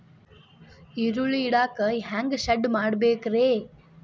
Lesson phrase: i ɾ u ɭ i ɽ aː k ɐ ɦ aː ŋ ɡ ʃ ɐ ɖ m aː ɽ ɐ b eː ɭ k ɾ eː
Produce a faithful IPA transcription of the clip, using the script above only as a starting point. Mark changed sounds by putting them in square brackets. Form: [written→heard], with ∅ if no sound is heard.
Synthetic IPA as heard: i ɾ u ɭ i ɽ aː k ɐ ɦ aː ŋ ɡ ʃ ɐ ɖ m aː ɽ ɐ b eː [ɭ→∅] k ɾ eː